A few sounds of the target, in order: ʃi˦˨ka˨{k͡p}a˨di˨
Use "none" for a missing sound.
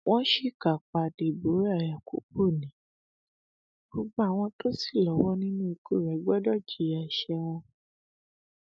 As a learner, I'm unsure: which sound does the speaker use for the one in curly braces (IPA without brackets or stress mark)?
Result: k͡p